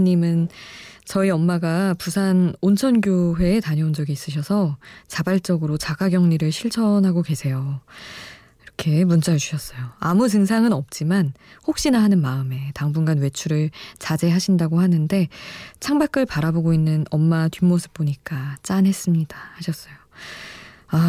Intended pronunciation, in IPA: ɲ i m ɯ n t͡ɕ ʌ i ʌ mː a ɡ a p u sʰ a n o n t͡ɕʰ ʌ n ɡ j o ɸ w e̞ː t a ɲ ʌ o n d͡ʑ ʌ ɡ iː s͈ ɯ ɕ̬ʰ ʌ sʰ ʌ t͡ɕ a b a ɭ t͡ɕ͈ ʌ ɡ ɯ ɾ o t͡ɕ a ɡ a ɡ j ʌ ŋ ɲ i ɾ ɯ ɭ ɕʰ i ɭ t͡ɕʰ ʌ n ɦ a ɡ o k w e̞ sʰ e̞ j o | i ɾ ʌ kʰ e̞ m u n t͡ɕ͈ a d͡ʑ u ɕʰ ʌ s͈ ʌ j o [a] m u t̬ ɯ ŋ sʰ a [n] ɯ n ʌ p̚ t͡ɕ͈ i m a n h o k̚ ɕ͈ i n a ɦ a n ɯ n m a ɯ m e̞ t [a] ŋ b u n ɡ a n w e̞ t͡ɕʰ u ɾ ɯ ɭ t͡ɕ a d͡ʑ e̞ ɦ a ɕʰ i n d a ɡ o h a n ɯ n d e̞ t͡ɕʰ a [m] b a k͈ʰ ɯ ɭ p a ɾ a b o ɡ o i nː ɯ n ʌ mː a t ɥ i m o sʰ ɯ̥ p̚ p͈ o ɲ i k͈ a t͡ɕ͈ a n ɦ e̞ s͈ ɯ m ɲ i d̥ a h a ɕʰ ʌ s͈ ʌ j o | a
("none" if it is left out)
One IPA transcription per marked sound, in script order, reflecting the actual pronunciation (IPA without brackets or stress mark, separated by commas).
a, ŋ, a, ŋ